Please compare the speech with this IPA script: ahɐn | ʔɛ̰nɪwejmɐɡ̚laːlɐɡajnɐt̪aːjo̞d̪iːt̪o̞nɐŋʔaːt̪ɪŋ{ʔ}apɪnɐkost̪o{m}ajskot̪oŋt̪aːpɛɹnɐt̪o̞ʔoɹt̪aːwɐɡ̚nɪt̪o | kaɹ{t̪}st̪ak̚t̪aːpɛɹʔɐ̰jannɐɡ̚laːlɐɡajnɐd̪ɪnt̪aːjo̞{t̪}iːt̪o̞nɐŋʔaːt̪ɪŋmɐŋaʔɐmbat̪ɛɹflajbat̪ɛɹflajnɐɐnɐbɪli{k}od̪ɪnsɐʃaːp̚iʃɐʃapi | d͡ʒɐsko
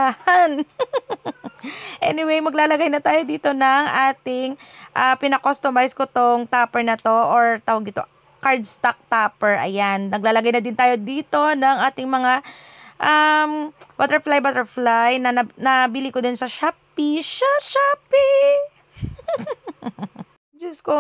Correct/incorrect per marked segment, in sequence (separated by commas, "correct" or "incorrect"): correct, correct, incorrect, incorrect, correct